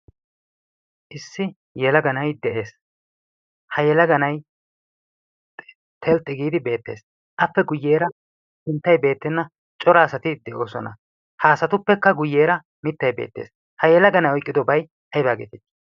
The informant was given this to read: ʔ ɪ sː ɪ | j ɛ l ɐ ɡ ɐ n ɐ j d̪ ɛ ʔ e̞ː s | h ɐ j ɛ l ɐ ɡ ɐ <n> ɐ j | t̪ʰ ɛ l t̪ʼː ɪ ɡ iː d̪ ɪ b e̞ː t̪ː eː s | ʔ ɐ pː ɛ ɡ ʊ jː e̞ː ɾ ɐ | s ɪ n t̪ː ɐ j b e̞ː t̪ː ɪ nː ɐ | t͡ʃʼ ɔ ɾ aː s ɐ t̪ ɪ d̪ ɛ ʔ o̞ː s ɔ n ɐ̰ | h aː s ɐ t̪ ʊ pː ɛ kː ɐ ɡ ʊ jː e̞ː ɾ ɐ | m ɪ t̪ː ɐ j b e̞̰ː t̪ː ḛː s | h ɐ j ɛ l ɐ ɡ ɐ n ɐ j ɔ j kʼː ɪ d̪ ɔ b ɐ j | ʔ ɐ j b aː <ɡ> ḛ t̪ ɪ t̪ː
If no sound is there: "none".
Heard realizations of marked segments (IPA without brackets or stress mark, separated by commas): n, ɡ